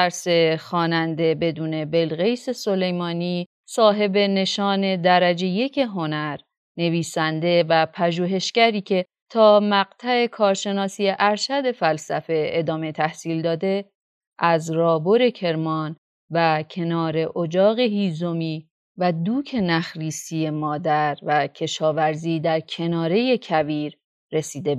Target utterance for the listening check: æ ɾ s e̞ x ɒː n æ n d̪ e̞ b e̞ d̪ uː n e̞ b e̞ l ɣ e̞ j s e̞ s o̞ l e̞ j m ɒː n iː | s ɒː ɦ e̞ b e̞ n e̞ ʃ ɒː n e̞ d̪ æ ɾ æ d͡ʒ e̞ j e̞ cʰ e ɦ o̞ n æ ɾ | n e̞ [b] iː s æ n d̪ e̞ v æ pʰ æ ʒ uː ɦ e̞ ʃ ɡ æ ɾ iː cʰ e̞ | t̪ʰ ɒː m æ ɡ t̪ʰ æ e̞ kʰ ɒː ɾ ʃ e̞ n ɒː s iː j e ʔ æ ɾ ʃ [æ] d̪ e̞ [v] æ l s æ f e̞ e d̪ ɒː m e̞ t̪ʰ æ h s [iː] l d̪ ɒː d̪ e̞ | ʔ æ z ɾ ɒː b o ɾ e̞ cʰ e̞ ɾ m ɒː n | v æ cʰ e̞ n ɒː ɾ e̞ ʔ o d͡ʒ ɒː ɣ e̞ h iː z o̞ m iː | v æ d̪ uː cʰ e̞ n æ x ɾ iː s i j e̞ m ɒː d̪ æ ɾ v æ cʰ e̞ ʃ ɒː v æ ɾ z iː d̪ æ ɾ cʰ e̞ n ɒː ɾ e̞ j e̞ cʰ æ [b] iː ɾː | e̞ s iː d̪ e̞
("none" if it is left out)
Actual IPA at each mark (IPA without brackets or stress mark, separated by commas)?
v, æ, f, iː, v